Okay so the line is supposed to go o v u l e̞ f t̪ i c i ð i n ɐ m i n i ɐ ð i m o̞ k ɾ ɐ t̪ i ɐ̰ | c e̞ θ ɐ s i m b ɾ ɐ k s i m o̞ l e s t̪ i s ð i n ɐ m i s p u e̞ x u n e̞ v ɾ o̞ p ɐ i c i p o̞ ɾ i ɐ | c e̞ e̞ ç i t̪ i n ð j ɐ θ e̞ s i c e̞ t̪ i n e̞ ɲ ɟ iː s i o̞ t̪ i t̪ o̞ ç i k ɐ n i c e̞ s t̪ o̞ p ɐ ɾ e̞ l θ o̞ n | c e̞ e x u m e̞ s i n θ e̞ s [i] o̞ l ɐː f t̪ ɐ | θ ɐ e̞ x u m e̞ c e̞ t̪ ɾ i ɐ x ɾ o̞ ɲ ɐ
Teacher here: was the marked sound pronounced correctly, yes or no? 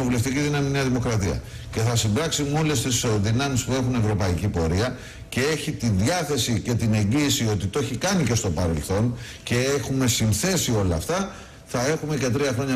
yes